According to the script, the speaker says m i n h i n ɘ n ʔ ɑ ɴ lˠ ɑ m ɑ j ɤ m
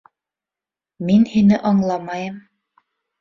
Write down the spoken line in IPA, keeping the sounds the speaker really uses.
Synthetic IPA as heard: m i n h i n ɘ ʔ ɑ ɴ lˠ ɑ m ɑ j ɤ m